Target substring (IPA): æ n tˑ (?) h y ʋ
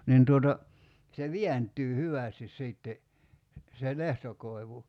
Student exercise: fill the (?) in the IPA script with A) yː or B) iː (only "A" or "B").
A